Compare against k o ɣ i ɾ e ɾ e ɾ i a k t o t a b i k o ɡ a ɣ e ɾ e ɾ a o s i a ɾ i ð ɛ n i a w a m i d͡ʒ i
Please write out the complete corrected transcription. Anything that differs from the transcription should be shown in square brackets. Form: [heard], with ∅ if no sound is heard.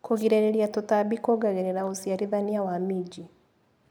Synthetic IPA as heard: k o ɣ i ɾ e ɾ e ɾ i a [∅] t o t a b i k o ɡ a ɣ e ɾ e ɾ a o s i a ɾ i ð [a] n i a w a m i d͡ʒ i